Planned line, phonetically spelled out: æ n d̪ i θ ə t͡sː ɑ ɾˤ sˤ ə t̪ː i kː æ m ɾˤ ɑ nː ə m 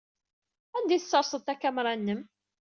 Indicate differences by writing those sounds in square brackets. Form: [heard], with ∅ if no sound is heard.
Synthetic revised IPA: æ n d̪ i θ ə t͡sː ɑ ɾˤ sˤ ə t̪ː [æ] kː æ m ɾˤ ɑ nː ə m